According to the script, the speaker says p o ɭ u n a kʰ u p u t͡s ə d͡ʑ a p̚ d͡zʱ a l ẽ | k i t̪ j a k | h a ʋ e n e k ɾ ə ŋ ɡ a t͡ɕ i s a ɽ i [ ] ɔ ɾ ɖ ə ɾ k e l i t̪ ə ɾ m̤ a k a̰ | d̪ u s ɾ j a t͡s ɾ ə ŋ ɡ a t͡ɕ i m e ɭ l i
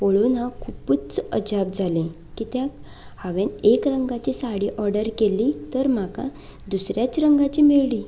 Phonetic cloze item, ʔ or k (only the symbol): ʔ